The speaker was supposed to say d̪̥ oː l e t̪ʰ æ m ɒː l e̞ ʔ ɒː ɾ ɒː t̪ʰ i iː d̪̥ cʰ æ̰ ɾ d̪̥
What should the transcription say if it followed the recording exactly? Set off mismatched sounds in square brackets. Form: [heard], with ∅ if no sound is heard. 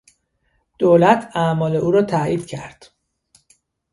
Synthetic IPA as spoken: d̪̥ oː l [æ] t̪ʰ æ m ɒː l e̞ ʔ [uː] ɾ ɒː t̪ʰ [æ] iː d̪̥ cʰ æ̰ ɾ d̪̥